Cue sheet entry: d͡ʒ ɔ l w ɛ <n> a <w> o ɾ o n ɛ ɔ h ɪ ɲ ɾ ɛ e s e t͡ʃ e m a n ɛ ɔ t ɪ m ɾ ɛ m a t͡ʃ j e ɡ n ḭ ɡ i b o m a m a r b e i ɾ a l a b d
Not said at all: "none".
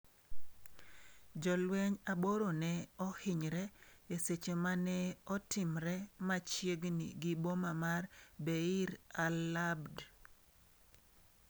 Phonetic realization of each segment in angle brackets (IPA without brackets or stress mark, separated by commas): ɲ, b